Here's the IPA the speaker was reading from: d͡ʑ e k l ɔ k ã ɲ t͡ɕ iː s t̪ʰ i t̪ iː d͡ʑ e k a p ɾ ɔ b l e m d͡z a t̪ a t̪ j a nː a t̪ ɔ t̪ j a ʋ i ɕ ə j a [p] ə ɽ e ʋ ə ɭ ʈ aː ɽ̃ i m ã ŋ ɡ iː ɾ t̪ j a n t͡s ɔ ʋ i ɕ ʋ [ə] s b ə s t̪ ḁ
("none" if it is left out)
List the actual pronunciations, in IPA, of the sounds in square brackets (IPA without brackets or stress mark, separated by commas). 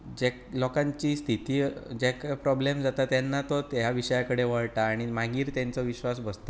k, a